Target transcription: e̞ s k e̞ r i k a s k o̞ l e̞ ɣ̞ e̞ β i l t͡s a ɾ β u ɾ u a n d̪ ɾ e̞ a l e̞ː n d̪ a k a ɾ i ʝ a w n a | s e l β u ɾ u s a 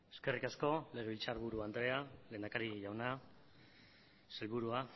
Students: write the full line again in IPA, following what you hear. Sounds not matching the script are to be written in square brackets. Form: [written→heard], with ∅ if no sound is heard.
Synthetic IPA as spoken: e̞ s k e̞ r i k a s k o̞ l e̞ ɣ̞ e̞ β i l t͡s a ɾ β u ɾ u a n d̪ ɾ e̞ a l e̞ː n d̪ a k a ɾ i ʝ a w n a | s e l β u ɾ u [s→∅] a